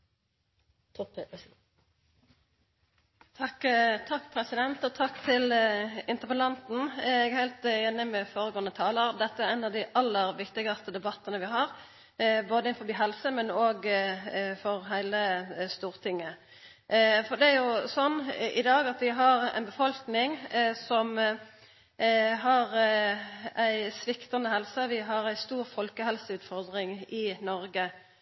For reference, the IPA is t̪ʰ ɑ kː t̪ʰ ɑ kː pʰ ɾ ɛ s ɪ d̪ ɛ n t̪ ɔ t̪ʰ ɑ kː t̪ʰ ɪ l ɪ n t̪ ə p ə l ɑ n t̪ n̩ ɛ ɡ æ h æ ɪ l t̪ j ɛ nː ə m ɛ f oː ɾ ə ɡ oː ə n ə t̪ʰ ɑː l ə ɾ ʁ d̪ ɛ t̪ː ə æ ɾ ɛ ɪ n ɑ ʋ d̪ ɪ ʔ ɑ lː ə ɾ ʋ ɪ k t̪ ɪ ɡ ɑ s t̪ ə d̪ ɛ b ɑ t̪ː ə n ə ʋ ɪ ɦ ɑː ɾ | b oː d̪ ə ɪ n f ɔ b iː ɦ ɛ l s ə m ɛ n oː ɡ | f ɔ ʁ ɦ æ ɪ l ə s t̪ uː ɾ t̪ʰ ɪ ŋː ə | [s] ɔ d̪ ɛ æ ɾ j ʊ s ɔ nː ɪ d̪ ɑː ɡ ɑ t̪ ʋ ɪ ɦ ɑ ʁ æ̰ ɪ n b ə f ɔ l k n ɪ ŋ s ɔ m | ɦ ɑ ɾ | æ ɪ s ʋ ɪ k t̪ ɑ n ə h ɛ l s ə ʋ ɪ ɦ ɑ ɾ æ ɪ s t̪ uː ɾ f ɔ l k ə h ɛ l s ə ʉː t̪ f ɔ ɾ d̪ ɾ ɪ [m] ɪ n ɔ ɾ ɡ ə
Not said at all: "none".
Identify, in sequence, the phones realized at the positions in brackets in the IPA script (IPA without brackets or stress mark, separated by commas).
f, ŋ